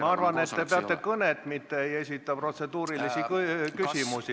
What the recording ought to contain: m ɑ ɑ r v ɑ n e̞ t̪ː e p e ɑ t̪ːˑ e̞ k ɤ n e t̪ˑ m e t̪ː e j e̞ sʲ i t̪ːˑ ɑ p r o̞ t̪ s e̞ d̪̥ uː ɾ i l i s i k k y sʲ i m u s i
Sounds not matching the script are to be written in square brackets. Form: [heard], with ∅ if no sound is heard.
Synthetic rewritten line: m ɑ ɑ r v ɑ n e̞ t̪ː e p e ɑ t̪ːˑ e̞ k ɤ n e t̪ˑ m [i] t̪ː e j e̞ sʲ i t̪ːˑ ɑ p r o̞ t̪ s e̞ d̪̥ uː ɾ i l i s i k k y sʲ i m u s i